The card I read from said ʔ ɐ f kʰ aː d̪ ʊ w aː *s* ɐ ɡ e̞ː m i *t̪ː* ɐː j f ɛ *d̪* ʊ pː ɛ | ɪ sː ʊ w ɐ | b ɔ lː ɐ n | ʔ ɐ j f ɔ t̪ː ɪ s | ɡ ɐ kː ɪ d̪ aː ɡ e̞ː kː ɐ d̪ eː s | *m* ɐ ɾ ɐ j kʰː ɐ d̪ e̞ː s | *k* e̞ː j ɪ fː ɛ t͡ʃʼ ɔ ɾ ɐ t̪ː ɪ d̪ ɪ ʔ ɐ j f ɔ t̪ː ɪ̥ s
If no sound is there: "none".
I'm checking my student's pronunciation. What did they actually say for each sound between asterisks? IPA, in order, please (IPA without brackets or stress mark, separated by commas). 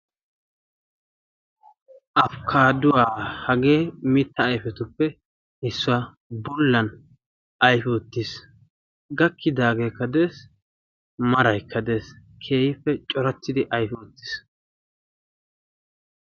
h, t̪ː, t̪, m, kʰ